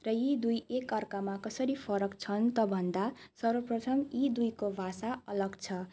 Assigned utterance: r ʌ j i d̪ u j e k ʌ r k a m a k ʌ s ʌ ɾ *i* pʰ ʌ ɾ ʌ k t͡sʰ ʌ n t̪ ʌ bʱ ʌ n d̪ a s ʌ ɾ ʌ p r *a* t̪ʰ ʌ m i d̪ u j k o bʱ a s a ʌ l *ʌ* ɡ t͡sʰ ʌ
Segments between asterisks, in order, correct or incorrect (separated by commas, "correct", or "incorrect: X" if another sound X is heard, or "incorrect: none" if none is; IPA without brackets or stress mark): correct, incorrect: ʌ, correct